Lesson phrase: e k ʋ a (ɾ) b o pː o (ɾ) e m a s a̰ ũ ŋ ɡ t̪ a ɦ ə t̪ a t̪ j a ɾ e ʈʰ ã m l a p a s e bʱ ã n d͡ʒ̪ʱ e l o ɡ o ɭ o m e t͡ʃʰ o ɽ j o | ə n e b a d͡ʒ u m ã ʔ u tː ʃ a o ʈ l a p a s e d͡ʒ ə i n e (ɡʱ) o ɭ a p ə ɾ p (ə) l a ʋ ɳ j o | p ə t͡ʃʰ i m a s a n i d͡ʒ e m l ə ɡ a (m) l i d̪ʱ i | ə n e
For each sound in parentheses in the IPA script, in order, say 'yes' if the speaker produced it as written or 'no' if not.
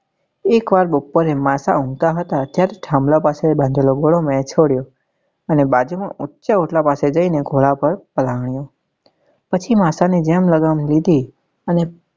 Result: yes, yes, yes, yes, yes

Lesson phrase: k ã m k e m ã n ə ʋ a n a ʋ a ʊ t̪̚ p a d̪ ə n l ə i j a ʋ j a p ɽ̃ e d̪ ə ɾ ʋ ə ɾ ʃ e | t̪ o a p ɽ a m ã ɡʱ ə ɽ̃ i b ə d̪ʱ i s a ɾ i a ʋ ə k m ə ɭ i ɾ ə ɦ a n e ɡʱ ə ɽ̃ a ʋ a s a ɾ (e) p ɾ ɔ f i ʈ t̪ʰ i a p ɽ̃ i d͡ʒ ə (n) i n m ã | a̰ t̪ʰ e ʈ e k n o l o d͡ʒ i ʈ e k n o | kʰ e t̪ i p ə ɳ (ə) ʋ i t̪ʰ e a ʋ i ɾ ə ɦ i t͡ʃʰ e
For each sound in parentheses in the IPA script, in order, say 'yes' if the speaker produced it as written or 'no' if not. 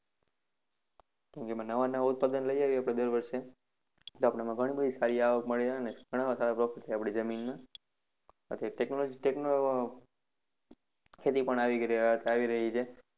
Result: no, no, no

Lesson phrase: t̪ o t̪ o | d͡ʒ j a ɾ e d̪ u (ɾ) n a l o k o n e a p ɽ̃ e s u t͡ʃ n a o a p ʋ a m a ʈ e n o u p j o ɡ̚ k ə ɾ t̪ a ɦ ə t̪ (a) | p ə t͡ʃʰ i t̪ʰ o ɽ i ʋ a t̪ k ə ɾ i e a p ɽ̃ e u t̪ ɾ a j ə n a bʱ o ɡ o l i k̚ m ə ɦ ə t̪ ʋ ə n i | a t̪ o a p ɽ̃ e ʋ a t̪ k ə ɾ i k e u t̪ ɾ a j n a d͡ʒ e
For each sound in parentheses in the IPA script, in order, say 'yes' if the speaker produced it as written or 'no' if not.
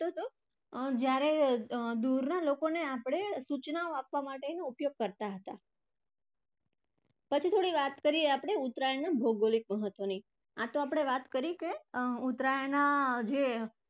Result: yes, yes

